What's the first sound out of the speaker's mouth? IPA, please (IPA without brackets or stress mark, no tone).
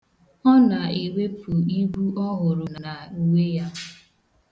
ɔ